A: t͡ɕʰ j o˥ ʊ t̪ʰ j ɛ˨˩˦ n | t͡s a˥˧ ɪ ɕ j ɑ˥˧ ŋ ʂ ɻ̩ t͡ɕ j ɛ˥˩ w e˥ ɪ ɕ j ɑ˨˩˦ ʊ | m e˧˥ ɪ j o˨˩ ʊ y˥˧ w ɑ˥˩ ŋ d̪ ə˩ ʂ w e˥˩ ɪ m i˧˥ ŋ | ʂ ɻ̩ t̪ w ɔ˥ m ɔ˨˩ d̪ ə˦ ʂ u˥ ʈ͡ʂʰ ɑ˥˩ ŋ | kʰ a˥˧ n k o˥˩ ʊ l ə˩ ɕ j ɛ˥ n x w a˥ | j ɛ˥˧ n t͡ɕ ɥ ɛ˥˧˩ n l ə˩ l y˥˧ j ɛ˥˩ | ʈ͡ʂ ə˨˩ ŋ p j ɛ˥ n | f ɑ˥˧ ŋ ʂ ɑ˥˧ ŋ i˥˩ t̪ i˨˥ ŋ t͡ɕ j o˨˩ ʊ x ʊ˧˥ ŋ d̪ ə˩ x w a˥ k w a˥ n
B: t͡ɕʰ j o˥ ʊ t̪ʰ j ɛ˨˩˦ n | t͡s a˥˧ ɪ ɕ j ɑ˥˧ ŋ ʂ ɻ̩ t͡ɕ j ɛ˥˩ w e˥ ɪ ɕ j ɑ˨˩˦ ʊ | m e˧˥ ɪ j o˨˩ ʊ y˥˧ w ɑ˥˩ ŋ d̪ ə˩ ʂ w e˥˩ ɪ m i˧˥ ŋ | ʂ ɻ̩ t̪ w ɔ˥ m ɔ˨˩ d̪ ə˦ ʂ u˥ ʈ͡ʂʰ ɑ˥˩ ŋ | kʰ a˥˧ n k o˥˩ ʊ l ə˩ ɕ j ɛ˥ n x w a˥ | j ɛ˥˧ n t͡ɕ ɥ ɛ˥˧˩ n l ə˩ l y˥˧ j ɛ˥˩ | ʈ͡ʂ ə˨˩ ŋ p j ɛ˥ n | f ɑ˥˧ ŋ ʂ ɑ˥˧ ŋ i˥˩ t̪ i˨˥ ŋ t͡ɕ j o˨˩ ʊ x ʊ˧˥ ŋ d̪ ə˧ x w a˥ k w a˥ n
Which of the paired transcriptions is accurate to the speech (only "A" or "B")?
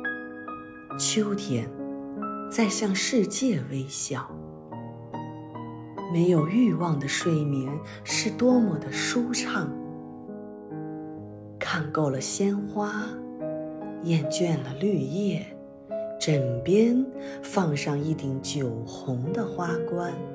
B